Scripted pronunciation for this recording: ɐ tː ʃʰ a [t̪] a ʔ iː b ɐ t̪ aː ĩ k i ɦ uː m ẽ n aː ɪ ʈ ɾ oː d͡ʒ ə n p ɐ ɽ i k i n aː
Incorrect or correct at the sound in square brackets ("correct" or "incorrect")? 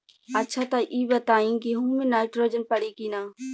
correct